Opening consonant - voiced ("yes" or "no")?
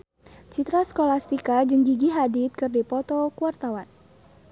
no